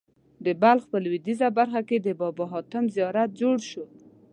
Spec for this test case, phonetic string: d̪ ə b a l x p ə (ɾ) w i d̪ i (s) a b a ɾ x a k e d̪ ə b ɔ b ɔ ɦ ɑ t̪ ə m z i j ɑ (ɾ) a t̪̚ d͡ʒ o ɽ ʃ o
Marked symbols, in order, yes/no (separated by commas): no, no, yes